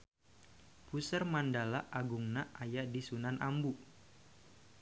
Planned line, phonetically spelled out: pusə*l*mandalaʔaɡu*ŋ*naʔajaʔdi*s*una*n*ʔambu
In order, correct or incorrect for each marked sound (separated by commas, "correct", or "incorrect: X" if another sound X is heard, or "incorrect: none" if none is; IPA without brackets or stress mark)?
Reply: incorrect: r, correct, correct, correct